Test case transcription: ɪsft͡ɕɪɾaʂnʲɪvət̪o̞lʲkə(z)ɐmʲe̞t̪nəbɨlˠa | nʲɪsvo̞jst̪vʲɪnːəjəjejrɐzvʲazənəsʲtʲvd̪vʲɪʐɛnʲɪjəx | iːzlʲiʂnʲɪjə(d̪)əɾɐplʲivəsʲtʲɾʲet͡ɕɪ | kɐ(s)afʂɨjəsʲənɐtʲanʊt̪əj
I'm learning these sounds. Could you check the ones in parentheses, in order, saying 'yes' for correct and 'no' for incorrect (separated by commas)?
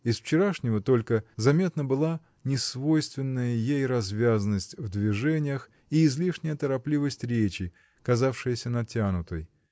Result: yes, no, no